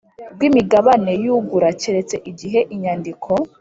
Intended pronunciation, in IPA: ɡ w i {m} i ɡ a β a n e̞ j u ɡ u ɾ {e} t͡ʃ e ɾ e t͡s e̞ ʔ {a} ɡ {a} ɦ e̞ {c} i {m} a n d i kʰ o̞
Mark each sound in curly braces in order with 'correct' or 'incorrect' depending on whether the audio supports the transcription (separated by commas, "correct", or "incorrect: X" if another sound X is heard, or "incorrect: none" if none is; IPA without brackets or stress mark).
correct, incorrect: a, incorrect: i, incorrect: i, incorrect: ʔ, incorrect: ɲ